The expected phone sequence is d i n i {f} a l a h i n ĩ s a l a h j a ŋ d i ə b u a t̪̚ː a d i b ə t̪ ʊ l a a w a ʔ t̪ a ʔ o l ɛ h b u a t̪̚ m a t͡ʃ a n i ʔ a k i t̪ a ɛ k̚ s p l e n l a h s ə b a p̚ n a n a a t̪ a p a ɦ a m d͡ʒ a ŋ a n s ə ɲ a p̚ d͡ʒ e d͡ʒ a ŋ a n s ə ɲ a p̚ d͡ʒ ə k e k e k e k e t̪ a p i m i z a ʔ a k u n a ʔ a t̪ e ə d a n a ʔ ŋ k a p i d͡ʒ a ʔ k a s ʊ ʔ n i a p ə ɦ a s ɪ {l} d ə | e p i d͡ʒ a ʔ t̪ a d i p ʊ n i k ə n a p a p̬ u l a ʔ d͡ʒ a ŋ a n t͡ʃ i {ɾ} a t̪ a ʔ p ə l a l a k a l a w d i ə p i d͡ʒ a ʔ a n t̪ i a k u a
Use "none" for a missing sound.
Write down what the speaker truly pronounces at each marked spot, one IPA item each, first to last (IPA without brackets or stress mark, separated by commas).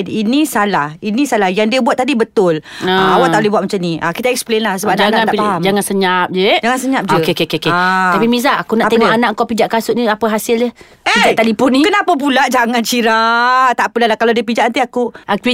s, l, ɾ